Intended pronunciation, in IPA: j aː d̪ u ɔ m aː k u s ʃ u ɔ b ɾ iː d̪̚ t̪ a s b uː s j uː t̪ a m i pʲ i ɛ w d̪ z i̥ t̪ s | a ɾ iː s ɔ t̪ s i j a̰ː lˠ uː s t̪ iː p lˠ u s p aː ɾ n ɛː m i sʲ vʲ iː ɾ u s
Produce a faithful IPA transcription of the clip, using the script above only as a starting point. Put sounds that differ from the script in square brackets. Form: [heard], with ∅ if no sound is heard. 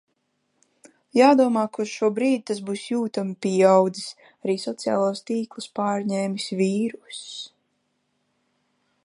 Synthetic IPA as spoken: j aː d̪ u ɔ m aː k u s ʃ u ɔ b ɾ iː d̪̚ t̪ a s b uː s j uː t̪ a m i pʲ i [a] w d̪ z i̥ [∅] s | a ɾ iː s ɔ t̪ s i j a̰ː lˠ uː s t̪ iː [k] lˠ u s p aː ɾ [ɲ] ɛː m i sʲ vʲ iː ɾ u s